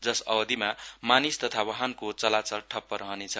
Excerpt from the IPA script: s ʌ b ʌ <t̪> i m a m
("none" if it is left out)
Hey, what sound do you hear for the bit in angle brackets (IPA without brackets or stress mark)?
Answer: d̪